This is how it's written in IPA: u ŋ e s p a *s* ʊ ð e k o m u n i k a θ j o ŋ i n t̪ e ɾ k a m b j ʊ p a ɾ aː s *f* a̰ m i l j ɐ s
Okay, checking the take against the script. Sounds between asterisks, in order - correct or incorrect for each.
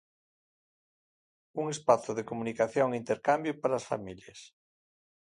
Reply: incorrect: θ, correct

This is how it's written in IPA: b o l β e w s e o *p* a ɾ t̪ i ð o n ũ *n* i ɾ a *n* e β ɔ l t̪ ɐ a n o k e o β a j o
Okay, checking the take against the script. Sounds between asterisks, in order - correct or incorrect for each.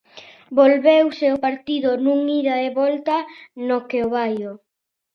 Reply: correct, incorrect: ŋ, incorrect: none

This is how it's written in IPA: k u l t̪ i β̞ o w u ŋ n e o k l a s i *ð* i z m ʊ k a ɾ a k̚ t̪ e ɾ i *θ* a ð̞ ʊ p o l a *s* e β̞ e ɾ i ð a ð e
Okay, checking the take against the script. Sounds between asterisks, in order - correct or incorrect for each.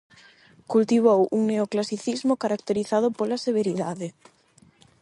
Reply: incorrect: θ, correct, correct

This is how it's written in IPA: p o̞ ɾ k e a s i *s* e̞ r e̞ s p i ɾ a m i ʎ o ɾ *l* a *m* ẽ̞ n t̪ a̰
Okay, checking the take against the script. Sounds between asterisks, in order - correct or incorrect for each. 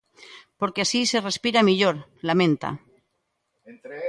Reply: correct, correct, correct

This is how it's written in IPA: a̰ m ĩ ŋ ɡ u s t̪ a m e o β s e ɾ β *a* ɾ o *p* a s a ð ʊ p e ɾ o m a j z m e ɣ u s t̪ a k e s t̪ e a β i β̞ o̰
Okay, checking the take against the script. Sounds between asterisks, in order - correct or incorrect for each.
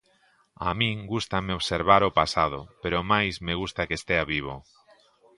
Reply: correct, correct

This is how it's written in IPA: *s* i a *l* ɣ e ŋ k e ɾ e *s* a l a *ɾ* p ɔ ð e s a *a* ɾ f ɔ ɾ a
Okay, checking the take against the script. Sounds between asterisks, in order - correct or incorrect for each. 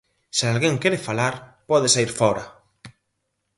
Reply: correct, correct, incorrect: f, correct, incorrect: i

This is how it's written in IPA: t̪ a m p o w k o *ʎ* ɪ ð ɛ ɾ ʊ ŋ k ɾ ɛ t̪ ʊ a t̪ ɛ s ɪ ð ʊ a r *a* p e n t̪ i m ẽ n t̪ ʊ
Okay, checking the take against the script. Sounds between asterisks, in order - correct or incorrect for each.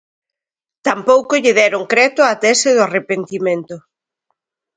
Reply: correct, incorrect: e

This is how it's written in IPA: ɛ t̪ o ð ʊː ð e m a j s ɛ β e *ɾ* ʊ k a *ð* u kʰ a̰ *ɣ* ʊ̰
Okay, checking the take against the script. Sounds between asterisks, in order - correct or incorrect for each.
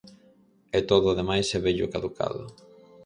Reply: incorrect: ʎ, correct, incorrect: ð

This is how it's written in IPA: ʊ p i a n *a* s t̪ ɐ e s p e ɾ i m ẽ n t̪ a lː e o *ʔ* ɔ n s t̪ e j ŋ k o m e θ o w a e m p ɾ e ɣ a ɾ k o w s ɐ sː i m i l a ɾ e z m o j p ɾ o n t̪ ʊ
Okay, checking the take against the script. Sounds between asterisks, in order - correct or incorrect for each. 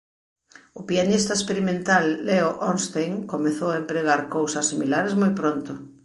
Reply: incorrect: i, correct

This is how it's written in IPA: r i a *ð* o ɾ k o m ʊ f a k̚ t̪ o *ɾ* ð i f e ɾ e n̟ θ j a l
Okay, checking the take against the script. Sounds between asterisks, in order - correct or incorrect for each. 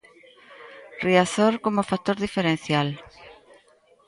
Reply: incorrect: θ, correct

